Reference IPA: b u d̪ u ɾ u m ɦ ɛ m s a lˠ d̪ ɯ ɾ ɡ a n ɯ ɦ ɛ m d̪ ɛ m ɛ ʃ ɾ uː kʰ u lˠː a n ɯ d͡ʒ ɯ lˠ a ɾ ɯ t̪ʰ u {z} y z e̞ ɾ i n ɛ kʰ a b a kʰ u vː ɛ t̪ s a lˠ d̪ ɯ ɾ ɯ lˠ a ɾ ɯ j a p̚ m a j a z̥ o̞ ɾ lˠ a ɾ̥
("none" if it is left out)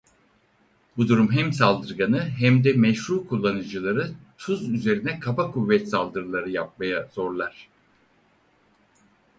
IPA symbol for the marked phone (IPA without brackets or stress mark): z